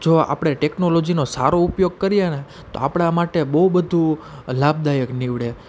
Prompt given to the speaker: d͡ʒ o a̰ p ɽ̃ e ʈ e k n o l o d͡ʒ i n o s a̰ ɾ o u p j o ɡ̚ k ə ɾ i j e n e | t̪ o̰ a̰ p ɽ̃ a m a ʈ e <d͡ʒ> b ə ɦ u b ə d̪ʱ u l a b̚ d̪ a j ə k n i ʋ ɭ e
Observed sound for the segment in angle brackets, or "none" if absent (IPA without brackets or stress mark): none